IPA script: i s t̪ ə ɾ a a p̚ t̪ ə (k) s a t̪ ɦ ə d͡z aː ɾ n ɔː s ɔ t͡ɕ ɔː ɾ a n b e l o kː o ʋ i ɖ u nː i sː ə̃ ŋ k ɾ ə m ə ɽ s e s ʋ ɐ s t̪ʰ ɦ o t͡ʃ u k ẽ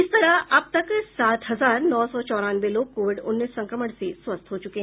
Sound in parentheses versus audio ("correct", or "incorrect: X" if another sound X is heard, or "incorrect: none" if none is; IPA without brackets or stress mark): correct